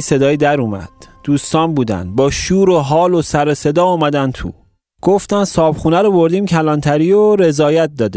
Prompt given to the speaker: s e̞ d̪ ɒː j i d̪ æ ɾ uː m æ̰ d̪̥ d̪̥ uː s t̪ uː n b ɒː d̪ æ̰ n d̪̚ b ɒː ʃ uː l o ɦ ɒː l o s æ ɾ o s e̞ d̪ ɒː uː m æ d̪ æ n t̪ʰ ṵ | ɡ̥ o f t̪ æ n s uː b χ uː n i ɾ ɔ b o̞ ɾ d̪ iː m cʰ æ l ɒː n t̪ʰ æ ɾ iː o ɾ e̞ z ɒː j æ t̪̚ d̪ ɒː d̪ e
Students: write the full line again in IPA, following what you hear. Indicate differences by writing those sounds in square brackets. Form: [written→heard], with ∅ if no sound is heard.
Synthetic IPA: s e̞ d̪ ɒː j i d̪ æ ɾ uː m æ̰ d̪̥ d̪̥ uː s t̪ [uː→ɒː] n b [ɒː→uː] d̪ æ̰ n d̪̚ b ɒː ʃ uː [l→ɾ] o ɦ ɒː l o s æ ɾ o s e̞ d̪ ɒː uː m æ d̪ æ n t̪ʰ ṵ | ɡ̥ o f t̪ æ n s [uː→ɒː] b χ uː n [i→æ] ɾ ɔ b o̞ ɾ d̪ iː m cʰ æ l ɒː n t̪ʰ æ ɾ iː o ɾ e̞ z ɒː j æ t̪̚ d̪ ɒː d̪ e